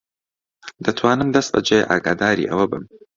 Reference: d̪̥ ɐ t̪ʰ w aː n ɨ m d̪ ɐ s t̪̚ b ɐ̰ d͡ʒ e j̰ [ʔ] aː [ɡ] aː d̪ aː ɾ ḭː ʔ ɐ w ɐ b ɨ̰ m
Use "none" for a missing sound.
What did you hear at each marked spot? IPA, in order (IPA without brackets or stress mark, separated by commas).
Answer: ʔ, ɡ